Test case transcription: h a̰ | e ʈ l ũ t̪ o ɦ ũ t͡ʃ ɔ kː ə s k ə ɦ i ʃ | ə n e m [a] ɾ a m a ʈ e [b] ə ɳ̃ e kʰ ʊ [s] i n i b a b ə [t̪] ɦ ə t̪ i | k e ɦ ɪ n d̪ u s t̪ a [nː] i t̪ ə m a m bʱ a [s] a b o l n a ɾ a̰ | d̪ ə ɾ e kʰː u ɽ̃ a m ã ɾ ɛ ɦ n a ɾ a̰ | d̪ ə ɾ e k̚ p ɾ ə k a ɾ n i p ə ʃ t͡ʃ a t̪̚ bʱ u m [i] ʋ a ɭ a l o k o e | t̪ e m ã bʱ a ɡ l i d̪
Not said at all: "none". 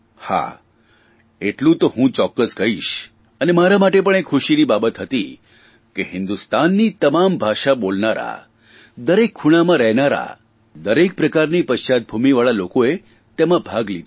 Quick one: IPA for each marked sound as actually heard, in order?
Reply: a, p, ʃ, t̪, nː, ʃ, i

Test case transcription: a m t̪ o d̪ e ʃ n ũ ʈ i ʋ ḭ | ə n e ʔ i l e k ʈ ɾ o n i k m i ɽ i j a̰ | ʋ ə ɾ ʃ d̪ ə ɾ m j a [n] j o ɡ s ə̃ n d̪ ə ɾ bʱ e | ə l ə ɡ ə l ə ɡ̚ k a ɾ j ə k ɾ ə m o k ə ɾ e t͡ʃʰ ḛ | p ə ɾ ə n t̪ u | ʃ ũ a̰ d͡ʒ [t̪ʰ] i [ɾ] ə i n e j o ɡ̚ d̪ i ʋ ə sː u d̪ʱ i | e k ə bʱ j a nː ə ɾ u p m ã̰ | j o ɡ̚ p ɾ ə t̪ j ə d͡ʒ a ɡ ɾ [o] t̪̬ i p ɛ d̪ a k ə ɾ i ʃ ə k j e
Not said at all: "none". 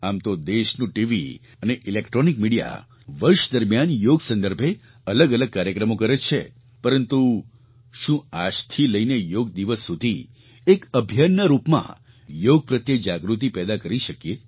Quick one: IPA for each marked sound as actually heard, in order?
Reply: n, t̪ʰ, l, u

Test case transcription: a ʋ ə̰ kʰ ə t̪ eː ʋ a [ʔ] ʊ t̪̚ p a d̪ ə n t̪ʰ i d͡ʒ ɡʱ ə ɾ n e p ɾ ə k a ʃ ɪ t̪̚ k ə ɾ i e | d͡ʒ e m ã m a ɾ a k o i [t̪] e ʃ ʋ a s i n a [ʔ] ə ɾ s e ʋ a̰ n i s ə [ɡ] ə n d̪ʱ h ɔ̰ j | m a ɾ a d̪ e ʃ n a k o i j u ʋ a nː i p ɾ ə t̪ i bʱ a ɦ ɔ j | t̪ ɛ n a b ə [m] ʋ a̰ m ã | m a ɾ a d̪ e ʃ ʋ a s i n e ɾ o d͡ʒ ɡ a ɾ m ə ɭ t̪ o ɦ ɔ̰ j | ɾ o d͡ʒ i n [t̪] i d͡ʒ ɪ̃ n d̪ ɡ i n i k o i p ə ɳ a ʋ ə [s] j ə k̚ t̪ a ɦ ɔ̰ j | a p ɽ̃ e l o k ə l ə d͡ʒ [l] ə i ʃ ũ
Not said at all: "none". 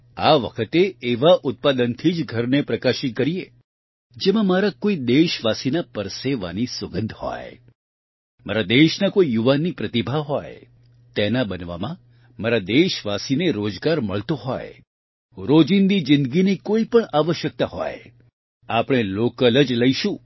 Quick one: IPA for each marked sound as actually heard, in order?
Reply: ʔ, d̪, p, ɡ, n, d̪, ʃ, l

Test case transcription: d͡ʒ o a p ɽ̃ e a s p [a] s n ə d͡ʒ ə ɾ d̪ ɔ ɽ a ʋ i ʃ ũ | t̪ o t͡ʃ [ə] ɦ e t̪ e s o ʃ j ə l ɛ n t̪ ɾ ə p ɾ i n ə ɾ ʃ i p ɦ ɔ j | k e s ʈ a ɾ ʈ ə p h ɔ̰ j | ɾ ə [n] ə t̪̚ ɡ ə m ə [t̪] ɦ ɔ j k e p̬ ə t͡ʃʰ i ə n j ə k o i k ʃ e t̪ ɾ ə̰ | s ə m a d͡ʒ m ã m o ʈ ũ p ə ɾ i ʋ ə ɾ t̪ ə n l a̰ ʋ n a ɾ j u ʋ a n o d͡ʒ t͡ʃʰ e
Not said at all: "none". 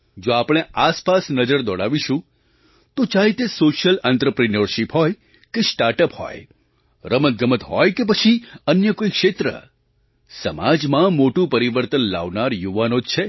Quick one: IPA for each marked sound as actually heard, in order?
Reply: a, a, m, t̪

